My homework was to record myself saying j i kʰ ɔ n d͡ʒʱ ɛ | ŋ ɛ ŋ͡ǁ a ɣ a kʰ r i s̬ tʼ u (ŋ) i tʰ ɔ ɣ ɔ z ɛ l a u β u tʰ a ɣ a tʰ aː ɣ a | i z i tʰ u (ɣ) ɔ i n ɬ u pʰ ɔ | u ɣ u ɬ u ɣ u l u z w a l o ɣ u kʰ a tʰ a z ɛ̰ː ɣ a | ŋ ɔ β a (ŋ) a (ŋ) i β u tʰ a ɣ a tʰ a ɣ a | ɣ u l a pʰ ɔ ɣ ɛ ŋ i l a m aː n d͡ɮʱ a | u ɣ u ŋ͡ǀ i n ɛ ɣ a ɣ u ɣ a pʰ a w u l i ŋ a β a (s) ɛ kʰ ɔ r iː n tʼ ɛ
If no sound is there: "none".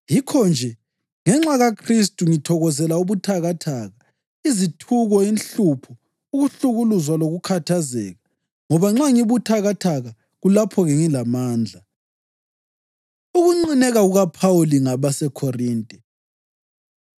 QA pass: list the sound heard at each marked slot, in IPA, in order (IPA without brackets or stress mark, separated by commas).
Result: ŋ, ɣ, ŋ͡ǁ, ŋ, s